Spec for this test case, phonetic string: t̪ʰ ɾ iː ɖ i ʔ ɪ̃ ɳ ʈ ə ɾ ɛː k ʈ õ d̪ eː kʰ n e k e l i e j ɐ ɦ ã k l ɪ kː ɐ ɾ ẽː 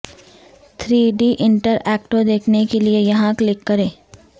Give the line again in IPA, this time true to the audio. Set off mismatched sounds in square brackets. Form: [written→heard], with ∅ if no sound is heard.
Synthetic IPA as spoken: t̪ʰ ɾ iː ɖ i ʔ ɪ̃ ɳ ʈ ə ɾ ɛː k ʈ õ d̪ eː kʰ n e k e l i e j ɐ ɦ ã k l ɪ kː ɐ ɾ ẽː